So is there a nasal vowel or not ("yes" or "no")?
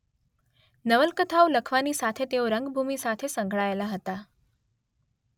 no